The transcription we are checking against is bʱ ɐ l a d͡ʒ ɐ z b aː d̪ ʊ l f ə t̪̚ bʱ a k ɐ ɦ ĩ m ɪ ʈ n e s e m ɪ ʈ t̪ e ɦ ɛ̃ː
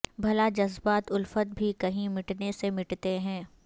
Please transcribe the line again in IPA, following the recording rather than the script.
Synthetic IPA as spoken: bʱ ɐ l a d͡ʒ ɐ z b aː t̪ ʊ l f ə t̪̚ bʱ i k ɐ ɦ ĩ m ɪ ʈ n e s e m ɪ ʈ t̪ e ɦ ɛ̃ː